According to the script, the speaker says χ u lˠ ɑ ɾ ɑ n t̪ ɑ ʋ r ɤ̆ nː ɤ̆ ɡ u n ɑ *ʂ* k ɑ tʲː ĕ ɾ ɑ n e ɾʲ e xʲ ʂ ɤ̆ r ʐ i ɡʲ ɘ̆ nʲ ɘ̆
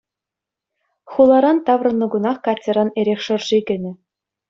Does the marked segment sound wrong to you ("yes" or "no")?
yes